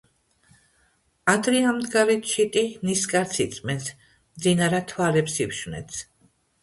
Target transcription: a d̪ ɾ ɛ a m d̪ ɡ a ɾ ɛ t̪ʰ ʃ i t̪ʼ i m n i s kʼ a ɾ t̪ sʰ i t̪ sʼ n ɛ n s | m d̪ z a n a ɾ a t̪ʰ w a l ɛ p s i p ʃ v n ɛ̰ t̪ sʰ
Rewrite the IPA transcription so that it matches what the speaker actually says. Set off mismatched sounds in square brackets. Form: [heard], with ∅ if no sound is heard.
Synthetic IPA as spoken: a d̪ ɾ [i] a m d̪ ɡ a ɾ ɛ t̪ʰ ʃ i t̪ʼ i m n i s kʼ a ɾ t̪ sʰ i t̪ sʼ [m] ɛ n s | m d̪ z [i] n a ɾ a t̪ʰ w a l ɛ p s i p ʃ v n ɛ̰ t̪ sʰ